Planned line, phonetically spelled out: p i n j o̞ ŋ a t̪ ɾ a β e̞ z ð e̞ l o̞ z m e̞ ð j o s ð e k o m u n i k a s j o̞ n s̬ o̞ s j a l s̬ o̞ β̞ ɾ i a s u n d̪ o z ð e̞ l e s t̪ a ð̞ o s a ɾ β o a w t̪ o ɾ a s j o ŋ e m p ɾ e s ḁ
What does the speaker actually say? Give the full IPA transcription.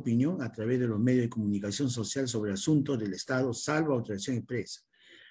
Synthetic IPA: p i n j o̞ ŋ a t̪ ɾ a β e̞ z ð e̞ l o̞ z m e̞ ð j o z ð e k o m u n i k a s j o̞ n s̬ o̞ s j a l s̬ o̞ β̞ ɾ e a s u n t̪ o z ð e̞ l e s t̪ a ð̞ o s a l β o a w t̪ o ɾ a s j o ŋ e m p ɾ e s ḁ